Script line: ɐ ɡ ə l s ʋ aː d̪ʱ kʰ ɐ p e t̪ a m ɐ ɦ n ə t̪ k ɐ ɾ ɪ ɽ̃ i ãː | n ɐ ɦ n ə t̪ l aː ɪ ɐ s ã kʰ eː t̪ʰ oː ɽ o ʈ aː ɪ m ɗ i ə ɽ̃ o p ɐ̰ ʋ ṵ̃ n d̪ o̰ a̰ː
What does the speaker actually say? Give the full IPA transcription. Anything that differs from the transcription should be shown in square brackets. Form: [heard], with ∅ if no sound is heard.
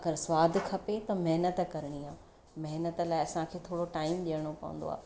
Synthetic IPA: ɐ ɡ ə [ɾ] s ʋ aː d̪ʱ kʰ ɐ p e t̪ [ɐ] m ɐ ɦ n ə t̪ k ɐ ɾ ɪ ɽ̃ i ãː | [m] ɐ ɦ n ə t̪ l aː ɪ ɐ s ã kʰ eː t̪ʰ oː ɽ o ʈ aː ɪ m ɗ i ə ɽ̃ o p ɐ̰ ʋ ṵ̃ n d̪ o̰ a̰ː